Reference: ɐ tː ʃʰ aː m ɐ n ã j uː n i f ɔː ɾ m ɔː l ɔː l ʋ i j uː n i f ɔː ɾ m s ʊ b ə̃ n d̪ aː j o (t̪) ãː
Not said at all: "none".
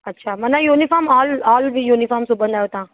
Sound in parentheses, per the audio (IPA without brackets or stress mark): t̪